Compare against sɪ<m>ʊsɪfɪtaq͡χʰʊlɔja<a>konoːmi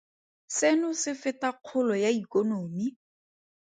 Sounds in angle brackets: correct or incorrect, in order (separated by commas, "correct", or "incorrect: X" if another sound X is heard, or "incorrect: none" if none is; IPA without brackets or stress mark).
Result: incorrect: n, incorrect: i